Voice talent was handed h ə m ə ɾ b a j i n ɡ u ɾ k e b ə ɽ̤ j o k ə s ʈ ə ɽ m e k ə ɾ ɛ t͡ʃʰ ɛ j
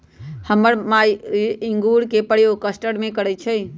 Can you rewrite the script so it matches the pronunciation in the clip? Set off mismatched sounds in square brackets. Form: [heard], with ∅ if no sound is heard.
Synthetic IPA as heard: h ə m ə ɾ [m] a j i [ŋ] ɡ u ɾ k e [p] ə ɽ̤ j o k ə s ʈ ə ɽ m e k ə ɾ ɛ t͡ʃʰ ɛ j

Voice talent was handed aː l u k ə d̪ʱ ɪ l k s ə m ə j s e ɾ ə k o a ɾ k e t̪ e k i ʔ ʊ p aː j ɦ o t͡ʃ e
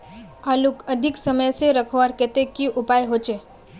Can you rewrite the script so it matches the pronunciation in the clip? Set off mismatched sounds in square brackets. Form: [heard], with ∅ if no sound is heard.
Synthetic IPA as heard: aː l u k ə d̪ʱ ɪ [∅] k s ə m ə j s e ɾ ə [kʰ] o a ɾ k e t̪ e k i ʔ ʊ p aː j ɦ o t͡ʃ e

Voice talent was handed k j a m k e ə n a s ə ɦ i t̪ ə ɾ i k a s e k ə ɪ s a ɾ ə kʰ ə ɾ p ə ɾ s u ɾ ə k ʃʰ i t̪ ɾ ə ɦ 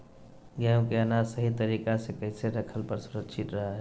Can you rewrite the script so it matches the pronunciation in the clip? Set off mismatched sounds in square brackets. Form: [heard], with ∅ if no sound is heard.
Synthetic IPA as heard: [ɡ] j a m k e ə n a s ə ɦ i t̪ ə ɾ i k a s e k ə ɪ s [e] ɾ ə kʰ ə [l] p ə ɾ s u ɾ ə k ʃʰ i t̪ ɾ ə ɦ

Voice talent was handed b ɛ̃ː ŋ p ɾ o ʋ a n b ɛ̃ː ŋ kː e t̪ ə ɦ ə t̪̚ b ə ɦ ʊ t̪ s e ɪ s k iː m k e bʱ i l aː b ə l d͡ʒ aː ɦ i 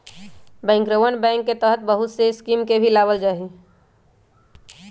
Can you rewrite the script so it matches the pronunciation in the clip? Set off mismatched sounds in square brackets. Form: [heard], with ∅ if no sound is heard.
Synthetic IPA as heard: b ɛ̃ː ŋ [k] ɾ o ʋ [ə] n b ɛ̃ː ŋ kː e t̪ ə ɦ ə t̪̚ b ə ɦ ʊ t̪ s e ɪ s k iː m k e bʱ i l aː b ə l d͡ʒ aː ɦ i

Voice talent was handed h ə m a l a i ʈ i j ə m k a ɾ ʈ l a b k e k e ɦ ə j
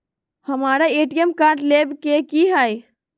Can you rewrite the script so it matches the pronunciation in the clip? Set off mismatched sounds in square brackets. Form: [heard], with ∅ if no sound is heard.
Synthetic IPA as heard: h ə m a [ɾ] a [e] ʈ i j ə m k a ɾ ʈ l [e] b k e k [i] ɦ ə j

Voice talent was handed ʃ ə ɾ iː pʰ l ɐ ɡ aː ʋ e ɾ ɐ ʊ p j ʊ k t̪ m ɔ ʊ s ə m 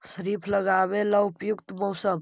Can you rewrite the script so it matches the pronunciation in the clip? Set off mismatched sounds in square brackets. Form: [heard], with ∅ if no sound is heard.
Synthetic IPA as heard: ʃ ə ɾ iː pʰ l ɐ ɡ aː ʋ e [l] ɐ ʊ p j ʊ k t̪ m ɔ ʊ s ə m

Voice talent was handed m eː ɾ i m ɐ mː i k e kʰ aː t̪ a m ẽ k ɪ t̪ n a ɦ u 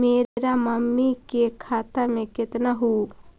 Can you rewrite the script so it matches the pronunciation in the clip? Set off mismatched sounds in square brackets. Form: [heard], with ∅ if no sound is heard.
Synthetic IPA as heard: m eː ɾ [a] m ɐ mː i k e kʰ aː t̪ a m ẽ k ɪ t̪ n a ɦ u

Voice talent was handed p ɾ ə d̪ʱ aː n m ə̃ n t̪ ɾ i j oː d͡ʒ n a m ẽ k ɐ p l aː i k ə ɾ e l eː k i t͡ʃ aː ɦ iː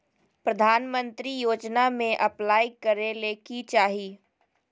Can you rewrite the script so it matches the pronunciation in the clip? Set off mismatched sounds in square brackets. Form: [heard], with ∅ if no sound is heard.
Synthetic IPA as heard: p ɾ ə d̪ʱ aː n m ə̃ n t̪ ɾ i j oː d͡ʒ n a m ẽ [ʔ] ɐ p l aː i k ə ɾ e l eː k i t͡ʃ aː ɦ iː

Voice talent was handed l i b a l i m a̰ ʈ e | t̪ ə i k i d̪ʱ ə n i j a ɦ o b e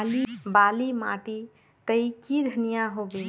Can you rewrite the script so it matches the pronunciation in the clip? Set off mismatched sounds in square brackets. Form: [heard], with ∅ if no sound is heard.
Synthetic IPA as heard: l i b a l i m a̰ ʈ [i] | t̪ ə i k i d̪ʱ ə n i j a ɦ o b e

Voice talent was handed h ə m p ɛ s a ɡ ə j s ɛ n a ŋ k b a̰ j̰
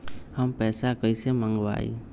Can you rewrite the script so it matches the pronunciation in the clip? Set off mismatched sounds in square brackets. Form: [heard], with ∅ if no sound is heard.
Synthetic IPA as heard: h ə m p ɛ s a [k] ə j s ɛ [m] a ŋ [ɡ] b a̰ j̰

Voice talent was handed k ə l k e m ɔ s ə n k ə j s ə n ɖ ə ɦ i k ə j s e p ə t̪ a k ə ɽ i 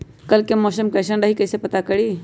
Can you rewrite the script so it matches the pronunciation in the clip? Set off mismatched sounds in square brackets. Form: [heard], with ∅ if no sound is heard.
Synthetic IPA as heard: k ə l k e m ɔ s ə [m] k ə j s ə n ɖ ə ɦ i k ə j s e p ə t̪ a k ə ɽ i

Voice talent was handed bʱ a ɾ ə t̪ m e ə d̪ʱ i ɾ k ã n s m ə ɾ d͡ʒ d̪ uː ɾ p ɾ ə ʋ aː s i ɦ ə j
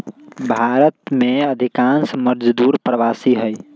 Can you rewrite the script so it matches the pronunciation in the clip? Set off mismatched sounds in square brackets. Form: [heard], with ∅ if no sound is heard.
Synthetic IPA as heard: bʱ a ɾ ə t̪ m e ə d̪ʱ i [∅] k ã n s m ə ɾ d͡ʒ d̪ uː ɾ p ɾ ə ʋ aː s i ɦ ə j

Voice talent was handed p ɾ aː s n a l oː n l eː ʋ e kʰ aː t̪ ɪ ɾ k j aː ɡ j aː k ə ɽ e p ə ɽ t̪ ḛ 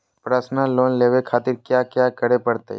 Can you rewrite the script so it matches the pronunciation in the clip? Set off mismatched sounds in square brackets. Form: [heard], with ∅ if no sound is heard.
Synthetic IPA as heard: p ɾ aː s n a l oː n l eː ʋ e kʰ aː t̪ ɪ ɾ k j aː [k] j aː k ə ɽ e p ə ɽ t̪ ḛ

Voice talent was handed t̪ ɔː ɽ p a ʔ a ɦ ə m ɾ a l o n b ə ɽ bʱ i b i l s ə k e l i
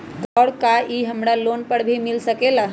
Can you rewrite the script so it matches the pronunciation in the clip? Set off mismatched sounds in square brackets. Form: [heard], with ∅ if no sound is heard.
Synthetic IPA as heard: t̪ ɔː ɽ [k] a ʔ [i] ɦ ə m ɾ a l o n [p] ə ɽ bʱ i [m] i l s ə k e l [a]

